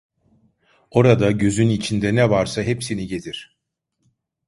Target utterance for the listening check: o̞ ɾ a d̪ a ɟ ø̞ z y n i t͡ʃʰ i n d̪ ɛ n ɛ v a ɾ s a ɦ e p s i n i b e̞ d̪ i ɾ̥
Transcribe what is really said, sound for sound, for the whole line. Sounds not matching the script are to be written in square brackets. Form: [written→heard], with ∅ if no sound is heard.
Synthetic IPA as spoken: o̞ ɾ a d̪ a ɟ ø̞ z y n i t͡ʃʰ i n d̪ ɛ n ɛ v a ɾ s a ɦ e p s i n i [b→ɟ] e̞ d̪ i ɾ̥